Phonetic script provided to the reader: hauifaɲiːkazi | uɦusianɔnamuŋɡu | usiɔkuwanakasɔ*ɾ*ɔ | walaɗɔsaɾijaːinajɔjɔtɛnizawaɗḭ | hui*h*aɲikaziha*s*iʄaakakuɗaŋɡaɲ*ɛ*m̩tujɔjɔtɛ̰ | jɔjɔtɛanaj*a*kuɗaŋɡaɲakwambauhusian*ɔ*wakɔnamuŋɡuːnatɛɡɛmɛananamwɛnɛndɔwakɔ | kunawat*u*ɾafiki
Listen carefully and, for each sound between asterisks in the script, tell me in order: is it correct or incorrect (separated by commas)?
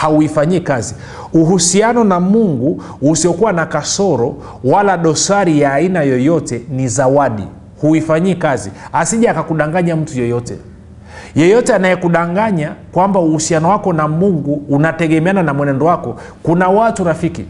correct, incorrect, correct, incorrect, incorrect, correct, correct